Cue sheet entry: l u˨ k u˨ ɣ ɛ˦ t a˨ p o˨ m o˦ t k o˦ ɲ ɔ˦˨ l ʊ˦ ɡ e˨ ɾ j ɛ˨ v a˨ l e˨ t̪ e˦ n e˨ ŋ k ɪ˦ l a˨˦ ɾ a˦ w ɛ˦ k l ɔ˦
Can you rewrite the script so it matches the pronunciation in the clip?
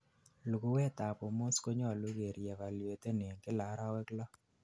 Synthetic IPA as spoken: l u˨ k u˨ w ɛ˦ t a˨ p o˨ m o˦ s k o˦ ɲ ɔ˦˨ l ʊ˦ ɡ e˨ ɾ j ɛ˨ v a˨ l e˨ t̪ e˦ n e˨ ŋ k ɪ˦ l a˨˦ ɾ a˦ w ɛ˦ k l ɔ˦